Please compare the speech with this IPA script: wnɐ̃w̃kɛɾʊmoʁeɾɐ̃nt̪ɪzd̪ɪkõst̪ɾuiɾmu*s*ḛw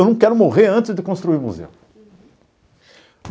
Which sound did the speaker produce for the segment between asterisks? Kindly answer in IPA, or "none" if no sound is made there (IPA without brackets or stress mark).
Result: z